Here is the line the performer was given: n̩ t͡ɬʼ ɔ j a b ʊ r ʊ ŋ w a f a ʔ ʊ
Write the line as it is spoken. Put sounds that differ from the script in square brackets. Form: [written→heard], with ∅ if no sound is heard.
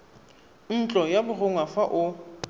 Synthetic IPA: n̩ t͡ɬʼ ɔ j a b ʊ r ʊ ŋ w a f a ʔ ʊ

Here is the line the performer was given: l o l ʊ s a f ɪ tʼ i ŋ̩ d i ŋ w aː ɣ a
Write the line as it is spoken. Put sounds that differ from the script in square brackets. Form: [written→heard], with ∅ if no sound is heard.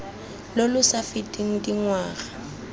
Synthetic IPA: l o l ʊ s a f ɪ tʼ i ŋ̩ d i ŋ w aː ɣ a

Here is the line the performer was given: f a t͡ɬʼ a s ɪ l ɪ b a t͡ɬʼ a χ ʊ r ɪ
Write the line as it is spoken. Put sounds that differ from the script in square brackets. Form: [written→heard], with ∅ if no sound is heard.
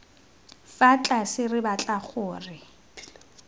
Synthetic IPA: f a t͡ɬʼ a s ɪ [l→r] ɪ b a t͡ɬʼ a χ [ʊ→ʊː] r ɪ

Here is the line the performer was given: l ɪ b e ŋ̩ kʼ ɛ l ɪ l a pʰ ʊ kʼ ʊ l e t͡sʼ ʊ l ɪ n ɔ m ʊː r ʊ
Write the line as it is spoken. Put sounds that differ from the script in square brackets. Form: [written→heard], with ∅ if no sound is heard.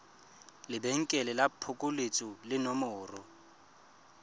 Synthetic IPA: l ɪ b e ŋ̩ kʼ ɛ l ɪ l a pʰ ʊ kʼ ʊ l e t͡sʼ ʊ l ɪ n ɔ m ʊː r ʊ

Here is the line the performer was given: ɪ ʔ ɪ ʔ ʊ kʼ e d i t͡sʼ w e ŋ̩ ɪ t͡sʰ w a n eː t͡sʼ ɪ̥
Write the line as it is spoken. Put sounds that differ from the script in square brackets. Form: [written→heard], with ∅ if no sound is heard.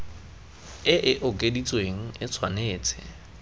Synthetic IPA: ɪ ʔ ɪ ʔ ʊ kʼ e d i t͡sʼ w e ŋ̩ ɪ t͡sʰ w a n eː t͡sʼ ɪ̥

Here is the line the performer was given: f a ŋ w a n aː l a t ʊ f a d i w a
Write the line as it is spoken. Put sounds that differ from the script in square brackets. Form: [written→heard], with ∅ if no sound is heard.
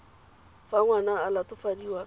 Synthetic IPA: f a ŋ w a n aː l a t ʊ f a d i w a

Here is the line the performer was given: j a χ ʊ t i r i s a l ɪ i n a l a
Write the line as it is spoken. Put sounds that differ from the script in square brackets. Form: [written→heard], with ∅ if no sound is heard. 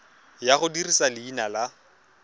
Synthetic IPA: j a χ ʊ [t→d] i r i s a l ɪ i n a l a

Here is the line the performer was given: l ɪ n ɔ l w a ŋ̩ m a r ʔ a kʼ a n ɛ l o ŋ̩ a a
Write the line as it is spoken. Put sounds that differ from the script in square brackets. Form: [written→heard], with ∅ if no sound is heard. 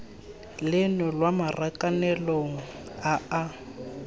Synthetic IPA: l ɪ n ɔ l w a [ŋ̩→∅] m a r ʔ a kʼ a n ɛ l o ŋ̩ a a

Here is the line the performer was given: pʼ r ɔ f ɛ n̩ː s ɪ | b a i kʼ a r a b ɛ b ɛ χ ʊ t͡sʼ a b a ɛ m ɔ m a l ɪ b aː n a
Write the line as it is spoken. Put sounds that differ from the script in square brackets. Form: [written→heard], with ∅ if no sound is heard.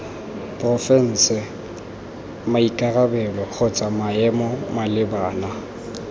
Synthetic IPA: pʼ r ɔ f ɛ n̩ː s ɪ | [b→m] a i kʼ a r a b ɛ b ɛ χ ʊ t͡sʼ a [b→m] a ɛ m ɔ m a l ɪ b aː n a

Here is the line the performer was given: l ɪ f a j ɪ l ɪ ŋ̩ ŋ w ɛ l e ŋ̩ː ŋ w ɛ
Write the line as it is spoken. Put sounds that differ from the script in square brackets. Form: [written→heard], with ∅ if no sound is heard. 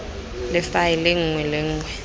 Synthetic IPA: l ɪ f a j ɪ l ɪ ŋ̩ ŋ w ɛ l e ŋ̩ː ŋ w ɛ

